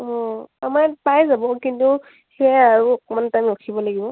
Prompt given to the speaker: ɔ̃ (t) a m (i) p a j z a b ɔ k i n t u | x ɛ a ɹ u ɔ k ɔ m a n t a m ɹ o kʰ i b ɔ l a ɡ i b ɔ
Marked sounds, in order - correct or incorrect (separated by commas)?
incorrect, incorrect